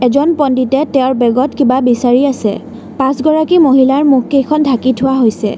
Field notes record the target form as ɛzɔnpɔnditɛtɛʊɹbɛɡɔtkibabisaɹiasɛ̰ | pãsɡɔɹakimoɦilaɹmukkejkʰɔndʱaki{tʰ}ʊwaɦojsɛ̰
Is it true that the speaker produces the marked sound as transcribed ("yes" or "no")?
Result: yes